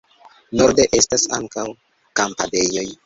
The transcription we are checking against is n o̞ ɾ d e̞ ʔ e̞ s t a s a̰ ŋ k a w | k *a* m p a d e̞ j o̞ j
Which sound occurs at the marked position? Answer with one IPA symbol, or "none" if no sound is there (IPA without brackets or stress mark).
a